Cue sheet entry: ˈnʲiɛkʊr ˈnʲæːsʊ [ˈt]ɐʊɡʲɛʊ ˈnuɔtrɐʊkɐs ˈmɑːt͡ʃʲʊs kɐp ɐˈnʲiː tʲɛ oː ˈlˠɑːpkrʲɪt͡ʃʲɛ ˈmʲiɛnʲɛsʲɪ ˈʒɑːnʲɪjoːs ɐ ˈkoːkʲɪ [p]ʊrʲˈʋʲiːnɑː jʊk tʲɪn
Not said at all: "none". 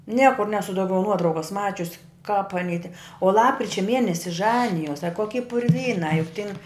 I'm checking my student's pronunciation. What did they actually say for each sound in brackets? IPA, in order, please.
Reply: d, p

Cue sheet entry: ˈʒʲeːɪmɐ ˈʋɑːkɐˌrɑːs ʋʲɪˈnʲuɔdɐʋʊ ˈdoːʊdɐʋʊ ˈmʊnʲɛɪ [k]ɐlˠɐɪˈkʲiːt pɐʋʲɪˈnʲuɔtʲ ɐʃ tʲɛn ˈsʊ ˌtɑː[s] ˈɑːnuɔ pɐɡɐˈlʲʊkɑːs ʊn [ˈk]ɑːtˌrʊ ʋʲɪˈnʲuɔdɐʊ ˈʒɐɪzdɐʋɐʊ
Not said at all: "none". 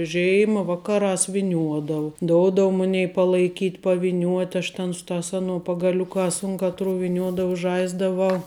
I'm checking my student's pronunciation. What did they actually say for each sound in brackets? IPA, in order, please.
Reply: p, s, k

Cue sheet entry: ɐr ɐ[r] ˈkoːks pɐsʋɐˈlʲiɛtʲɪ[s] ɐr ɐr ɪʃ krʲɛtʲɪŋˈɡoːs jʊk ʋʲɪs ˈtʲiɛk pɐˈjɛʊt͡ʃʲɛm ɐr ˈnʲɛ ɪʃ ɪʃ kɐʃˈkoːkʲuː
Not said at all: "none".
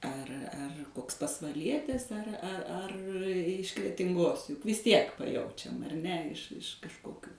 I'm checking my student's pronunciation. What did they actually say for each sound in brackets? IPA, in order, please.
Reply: r, s

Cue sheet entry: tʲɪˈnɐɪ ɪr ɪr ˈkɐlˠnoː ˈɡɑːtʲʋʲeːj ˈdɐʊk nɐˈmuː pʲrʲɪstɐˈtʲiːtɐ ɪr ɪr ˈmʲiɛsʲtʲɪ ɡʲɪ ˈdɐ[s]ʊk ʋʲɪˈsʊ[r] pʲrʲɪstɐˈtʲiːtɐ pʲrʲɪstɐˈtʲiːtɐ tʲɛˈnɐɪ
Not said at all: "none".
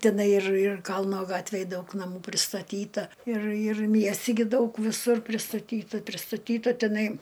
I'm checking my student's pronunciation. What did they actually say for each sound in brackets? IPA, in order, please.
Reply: none, r

